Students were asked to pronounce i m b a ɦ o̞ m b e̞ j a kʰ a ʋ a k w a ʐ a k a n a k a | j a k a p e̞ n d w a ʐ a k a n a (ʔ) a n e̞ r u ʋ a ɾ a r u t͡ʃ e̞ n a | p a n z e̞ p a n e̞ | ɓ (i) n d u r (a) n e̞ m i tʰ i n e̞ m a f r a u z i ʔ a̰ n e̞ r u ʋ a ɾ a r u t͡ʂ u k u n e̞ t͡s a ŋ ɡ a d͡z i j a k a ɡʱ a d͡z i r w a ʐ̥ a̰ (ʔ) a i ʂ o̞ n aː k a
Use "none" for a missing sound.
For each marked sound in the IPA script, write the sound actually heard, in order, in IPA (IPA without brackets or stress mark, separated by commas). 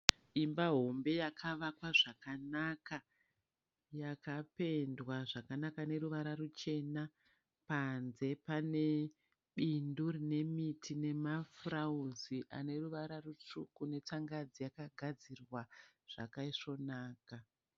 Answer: k, i, i, k